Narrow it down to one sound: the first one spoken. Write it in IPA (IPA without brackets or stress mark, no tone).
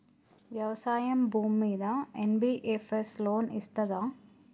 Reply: ʋ